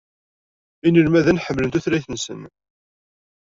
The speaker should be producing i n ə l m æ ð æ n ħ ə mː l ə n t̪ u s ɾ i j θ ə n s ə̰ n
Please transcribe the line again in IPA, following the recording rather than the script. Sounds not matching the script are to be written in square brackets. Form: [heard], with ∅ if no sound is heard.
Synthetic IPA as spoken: i n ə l m æ ð æ n ħ ə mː l ə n t̪ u [θ] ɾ [æ] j θ ə n s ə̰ n